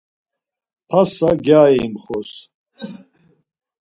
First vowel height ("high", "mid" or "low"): low